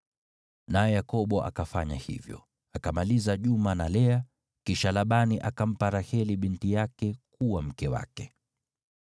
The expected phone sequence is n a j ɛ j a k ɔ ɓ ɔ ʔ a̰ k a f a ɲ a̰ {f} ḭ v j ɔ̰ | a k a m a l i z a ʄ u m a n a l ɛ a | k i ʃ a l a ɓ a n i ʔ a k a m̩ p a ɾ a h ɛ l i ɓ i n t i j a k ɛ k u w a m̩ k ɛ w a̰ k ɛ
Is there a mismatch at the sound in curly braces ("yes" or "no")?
yes